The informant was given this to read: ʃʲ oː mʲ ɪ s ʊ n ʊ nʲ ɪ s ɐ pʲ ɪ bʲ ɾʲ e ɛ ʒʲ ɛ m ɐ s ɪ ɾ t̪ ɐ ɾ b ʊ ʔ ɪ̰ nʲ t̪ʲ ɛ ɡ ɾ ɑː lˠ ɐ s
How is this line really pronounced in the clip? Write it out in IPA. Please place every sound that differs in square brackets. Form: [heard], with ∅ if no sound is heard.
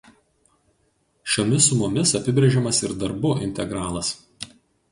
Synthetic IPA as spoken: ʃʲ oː mʲ ɪ s ʊ [m] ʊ [mʲ] ɪ s ɐ pʲ ɪ bʲ ɾʲ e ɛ ʒʲ ɛ m ɐ s ɪ ɾ [d̪] ɐ ɾ b ʊ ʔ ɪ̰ nʲ t̪ʲ ɛ ɡ ɾ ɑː lˠ ɐ s

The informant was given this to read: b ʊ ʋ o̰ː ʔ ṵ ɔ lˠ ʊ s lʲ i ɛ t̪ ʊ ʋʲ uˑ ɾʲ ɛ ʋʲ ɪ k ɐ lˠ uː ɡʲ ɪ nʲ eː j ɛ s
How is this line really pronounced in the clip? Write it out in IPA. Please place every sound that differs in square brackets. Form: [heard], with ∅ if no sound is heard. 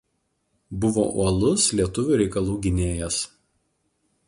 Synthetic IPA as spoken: b ʊ ʋ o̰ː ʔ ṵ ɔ lˠ ʊ s lʲ i ɛ t̪ ʊ ʋʲ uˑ ɾʲ ɛ [∅] ɪ k ɐ lˠ uː ɡʲ ɪ nʲ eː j ɛ s

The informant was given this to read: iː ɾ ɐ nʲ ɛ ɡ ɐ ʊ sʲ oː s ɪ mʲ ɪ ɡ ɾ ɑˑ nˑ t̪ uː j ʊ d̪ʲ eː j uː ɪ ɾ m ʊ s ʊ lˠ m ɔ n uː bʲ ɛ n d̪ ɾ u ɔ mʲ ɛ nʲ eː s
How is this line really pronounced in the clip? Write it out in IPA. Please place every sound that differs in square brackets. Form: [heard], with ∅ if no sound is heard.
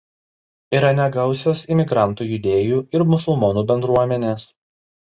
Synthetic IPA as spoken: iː ɾ ɐ nʲ ɛ ɡ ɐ ʊ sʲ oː s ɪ mʲ ɪ ɡ ɾ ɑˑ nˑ t̪ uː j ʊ d̪ʲ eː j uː ɪ ɾ m ʊ s ʊ lˠ m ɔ n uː bʲ ɛ n d̪ ɾ u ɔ mʲ ɛ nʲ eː s

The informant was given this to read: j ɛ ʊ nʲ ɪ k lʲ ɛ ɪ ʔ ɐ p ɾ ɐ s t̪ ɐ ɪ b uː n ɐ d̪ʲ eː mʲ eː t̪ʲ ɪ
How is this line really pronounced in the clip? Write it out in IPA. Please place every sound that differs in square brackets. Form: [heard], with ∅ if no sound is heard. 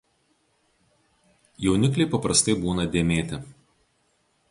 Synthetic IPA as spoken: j ɛ ʊ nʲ ɪ k lʲ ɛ ɪ [p] ɐ p ɾ ɐ s t̪ ɐ ɪ b uː n ɐ d̪ʲ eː mʲ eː t̪ʲ ɪ

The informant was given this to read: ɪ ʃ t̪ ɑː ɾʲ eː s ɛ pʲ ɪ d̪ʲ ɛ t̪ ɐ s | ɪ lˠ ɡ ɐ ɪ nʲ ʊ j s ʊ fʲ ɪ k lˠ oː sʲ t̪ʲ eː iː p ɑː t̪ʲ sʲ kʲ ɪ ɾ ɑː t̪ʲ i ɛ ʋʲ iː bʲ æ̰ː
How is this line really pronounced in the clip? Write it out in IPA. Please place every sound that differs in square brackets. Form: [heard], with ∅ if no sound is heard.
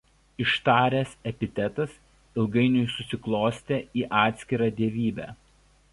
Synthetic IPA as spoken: ɪ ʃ t̪ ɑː ɾʲ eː s ɛ pʲ ɪ [t̪ʲ] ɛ t̪ ɐ s | ɪ lˠ ɡ ɐ ɪ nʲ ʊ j s ʊ [sʲ] ɪ k lˠ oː sʲ t̪ʲ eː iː [ʔ] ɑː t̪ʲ sʲ kʲ ɪ ɾ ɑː [d̪ʲ] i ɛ ʋʲ iː bʲ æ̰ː

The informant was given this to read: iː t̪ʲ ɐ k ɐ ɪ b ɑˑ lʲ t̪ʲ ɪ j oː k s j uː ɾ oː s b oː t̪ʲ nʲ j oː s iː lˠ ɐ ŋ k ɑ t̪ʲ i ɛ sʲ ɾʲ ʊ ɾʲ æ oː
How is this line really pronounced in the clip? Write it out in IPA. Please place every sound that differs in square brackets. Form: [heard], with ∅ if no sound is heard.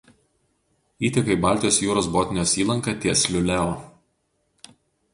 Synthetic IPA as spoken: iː t̪ʲ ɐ k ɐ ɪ b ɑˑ lʲ t̪ʲ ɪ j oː [∅] s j uː ɾ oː s b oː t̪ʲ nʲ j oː s iː lˠ ɐ ŋ k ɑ t̪ʲ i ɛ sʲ [lʲ] ʊ [lʲ] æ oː

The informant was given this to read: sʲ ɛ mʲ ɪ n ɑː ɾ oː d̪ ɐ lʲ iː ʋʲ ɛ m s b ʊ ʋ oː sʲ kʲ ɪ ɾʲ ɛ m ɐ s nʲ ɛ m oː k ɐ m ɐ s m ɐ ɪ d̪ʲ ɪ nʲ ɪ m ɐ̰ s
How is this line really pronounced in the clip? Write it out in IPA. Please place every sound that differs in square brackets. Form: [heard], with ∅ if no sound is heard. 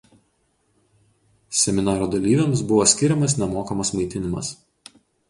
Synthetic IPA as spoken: sʲ ɛ mʲ ɪ n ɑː ɾ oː d̪ ɐ lʲ iː ʋʲ ɛ m s b ʊ ʋ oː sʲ kʲ ɪ ɾʲ ɛ m ɐ s nʲ ɛ m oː k ɐ m ɐ s m ɐ ɪ [t̪ʲ] ɪ nʲ ɪ m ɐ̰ s

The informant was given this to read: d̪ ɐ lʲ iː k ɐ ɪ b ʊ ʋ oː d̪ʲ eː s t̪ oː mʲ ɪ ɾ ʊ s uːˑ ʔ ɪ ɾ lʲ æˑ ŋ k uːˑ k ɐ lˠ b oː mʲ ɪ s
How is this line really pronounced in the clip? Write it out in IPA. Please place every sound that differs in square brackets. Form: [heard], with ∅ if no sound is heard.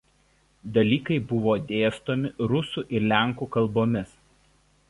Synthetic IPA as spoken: d̪ ɐ lʲ iː k ɐ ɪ b ʊ ʋ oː d̪ʲ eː s t̪ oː mʲ ɪ ɾ ʊ s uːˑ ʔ ɪ ɾ lʲ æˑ ŋ k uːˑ k ɐ lˠ b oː mʲ ɪ s

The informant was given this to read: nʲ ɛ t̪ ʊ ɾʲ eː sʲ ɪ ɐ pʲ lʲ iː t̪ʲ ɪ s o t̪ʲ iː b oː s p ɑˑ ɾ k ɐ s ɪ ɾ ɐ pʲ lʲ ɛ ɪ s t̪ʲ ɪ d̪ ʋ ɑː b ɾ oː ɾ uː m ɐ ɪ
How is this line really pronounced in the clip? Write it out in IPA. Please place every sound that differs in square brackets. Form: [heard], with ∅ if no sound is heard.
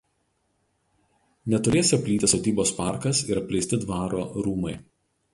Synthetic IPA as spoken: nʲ ɛ t̪ ʊ ɾʲ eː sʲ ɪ ɐ pʲ lʲ iː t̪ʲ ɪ s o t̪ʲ iː b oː s p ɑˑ ɾ k ɐ s ɪ ɾ ɐ pʲ lʲ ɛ ɪ s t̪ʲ ɪ d̪ ʋ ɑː [∅] ɾ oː ɾ uː m ɐ ɪ

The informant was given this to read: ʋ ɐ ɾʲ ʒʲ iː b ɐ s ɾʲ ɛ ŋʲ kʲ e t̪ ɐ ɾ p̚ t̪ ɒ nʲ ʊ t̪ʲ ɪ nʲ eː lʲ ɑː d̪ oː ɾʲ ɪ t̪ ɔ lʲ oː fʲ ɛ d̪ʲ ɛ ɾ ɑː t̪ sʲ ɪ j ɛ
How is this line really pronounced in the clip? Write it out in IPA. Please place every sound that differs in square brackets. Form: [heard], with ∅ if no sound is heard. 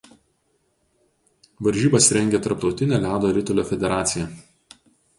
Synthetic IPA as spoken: ʋ ɐ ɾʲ ʒʲ iː b ɐ s ɾʲ ɛ ŋʲ [ɡʲ] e t̪ ɐ ɾ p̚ t̪ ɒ [∅] ʊ t̪ʲ ɪ nʲ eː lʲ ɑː d̪ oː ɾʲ ɪ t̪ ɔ lʲ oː fʲ ɛ d̪ʲ ɛ ɾ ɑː t̪ sʲ ɪ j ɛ

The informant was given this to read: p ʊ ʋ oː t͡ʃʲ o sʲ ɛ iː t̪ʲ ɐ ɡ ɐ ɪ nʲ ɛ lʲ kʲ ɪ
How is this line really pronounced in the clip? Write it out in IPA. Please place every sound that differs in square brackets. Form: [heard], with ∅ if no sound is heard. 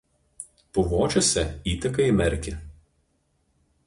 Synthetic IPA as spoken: p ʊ ʋ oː t͡ʃʲ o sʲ ɛ iː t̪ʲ ɐ [k] ɐ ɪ [mʲ] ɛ [ɾʲ] kʲ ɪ

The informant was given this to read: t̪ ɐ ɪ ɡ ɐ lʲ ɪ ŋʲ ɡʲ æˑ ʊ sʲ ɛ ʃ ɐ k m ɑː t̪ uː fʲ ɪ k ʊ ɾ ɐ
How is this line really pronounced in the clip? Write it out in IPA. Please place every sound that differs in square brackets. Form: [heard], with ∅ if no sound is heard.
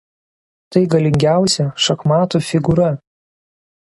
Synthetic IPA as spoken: t̪ ɐ ɪ ɡ ɐ lʲ ɪ ŋʲ ɡʲ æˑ ʊ sʲ ɛ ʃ ɐ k m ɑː t̪ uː fʲ ɪ [ɡ] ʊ ɾ ɐ

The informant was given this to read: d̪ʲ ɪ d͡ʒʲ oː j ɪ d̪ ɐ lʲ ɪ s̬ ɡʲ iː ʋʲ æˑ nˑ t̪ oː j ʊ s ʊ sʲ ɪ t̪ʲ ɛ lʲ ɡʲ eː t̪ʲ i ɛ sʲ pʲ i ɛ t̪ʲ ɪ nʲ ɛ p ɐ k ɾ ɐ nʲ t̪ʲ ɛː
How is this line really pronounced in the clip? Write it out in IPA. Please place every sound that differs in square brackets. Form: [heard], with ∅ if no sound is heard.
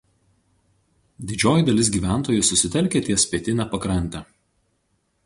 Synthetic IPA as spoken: d̪ʲ ɪ d͡ʒʲ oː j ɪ d̪ ɐ lʲ ɪ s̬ ɡʲ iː ʋʲ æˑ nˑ t̪ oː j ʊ s ʊ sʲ ɪ t̪ʲ ɛ lʲ [kʲ] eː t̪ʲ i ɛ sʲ pʲ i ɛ t̪ʲ ɪ nʲ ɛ p ɐ k ɾ ɐ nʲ t̪ʲ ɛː

